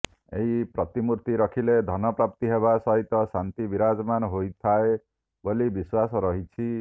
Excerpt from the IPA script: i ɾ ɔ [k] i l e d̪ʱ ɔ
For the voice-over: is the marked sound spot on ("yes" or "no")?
no